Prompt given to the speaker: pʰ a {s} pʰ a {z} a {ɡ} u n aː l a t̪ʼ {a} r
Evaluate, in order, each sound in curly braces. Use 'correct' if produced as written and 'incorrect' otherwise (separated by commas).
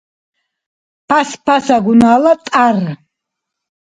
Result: correct, incorrect, correct, correct